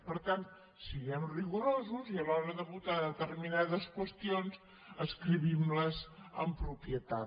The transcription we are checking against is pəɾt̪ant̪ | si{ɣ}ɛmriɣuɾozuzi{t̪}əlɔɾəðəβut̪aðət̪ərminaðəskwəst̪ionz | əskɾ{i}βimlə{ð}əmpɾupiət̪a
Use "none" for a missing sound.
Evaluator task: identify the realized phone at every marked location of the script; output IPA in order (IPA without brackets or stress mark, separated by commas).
ɣ, none, i, z